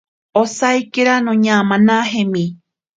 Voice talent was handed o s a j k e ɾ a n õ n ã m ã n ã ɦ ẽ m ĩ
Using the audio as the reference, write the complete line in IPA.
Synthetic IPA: o s a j k e ɾ a n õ ɲ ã m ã n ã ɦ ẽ m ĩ